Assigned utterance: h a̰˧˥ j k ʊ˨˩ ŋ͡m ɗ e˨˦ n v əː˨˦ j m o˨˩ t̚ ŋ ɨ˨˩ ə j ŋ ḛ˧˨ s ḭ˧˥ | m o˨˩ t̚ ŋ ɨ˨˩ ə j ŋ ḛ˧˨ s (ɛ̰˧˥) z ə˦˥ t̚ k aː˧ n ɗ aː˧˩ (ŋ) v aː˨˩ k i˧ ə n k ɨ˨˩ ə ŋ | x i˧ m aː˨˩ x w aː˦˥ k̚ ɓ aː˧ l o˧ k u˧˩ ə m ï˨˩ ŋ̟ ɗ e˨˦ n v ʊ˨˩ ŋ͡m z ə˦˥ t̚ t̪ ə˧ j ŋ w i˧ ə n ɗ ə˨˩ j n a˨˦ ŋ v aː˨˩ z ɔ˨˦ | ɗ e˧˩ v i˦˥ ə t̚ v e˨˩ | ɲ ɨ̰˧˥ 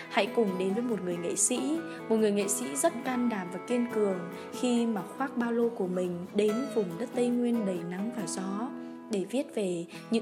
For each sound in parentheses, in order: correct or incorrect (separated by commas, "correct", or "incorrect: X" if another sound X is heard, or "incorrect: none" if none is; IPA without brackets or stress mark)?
incorrect: ḭ˧˥, incorrect: m